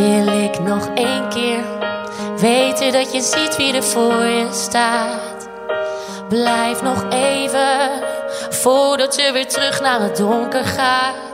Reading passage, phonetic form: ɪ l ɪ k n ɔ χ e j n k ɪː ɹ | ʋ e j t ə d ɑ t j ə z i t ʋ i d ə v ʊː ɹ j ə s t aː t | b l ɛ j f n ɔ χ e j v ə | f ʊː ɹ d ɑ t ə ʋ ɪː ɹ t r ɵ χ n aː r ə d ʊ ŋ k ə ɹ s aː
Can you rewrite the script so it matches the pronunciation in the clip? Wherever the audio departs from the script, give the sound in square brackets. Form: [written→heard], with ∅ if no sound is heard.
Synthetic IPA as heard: ɪ l ɪ k n ɔ χ e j n k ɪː ɹ | ʋ e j t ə d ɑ t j ə z i t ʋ i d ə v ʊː ɹ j ə s t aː t | b l ɛ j f n ɔ χ e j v ə | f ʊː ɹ d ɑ t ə ʋ ɪː ɹ t r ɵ χ n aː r ə d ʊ ŋ k ə ɹ [s→χ] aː